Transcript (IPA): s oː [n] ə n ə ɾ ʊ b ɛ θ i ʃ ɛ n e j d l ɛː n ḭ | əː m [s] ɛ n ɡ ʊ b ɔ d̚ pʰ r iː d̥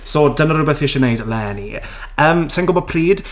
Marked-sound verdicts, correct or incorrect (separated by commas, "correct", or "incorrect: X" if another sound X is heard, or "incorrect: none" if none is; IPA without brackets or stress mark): incorrect: d, correct